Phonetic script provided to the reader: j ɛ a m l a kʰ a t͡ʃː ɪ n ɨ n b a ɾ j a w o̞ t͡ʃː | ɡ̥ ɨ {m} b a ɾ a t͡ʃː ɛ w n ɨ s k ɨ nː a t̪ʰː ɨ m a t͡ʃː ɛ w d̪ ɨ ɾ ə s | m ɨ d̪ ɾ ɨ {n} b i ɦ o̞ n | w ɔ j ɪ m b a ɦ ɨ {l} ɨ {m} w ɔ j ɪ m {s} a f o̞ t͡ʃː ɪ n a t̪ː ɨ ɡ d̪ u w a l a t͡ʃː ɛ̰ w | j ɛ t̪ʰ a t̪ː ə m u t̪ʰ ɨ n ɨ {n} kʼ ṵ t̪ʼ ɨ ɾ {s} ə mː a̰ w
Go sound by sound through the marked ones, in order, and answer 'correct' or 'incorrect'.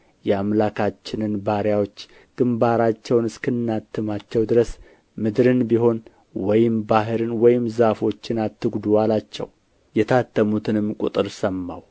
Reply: correct, correct, incorrect: ɾ, incorrect: n, incorrect: z, incorrect: m, correct

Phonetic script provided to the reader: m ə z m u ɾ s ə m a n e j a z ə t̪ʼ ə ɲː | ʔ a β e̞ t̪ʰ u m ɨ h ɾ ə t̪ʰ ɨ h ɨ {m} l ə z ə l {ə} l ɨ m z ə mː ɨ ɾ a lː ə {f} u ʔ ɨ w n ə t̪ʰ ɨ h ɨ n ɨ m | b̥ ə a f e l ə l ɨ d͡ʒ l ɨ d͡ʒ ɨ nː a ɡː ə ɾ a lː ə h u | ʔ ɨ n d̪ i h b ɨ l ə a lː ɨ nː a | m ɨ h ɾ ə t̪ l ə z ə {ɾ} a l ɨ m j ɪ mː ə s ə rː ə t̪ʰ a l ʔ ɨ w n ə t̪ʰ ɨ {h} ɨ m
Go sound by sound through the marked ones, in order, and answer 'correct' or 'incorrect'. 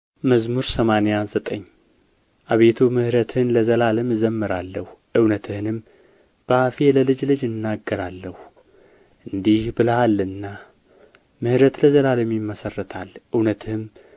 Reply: incorrect: n, incorrect: a, incorrect: h, incorrect: l, correct

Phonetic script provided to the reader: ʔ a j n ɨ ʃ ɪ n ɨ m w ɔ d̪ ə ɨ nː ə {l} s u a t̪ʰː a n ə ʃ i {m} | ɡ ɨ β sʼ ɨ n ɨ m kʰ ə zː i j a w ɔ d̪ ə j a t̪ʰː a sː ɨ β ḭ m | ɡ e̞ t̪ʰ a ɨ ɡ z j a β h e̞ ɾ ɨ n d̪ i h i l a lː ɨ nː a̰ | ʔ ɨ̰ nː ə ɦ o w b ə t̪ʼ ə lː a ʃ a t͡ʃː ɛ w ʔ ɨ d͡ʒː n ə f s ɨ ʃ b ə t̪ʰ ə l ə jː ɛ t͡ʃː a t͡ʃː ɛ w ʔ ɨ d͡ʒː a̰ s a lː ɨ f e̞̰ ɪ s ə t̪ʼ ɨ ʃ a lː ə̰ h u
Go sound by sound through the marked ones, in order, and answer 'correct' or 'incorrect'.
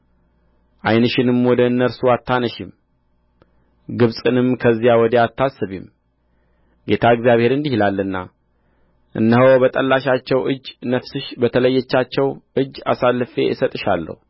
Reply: incorrect: ɾ, correct

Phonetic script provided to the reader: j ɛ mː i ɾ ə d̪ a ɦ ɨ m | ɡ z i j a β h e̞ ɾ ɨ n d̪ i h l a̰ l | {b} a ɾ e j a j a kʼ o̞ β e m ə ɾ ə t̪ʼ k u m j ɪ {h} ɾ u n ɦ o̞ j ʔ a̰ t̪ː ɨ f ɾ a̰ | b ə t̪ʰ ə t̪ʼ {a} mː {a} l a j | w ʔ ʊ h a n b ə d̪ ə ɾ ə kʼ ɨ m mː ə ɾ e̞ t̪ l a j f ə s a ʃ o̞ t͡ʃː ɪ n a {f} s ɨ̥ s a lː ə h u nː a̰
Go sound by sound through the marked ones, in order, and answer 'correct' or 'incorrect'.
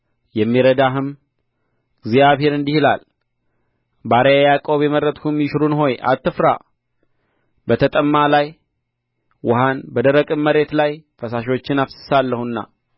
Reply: correct, incorrect: ʃ, incorrect: ə, correct, correct

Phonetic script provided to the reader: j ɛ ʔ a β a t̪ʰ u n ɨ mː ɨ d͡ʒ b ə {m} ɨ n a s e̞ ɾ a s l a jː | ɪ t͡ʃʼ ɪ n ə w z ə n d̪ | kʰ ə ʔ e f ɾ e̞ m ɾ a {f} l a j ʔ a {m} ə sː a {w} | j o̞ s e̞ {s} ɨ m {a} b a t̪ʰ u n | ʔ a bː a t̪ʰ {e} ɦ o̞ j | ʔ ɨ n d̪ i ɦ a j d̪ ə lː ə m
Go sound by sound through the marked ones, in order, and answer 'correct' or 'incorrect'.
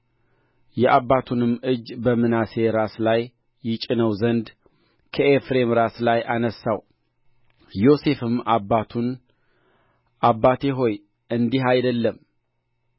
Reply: correct, incorrect: s, incorrect: n, correct, incorrect: f, correct, correct

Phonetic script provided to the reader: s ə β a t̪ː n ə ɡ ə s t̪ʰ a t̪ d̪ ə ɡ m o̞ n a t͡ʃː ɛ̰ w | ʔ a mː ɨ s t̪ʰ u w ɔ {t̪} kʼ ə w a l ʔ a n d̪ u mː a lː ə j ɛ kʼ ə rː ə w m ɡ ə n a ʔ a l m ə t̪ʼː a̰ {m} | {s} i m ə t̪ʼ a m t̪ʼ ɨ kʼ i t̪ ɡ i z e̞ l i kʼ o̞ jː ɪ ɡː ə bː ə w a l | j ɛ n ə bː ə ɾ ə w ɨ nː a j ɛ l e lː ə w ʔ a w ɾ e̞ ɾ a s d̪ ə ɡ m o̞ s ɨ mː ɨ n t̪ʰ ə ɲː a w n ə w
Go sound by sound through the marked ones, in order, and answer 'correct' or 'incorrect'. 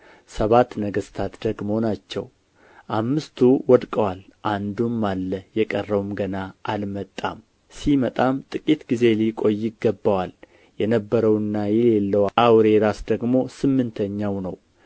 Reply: incorrect: d̪, correct, correct

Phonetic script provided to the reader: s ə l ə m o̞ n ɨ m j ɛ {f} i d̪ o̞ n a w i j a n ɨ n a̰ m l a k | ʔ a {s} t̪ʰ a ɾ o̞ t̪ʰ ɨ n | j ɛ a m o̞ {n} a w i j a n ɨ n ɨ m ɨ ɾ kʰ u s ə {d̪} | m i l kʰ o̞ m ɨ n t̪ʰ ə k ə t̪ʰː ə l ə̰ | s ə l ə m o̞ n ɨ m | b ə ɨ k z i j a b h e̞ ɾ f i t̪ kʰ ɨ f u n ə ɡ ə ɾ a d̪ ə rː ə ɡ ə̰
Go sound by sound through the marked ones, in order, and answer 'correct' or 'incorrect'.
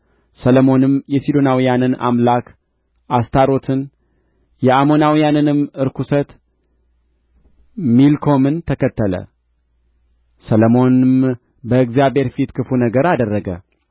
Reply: incorrect: s, correct, correct, incorrect: t̪

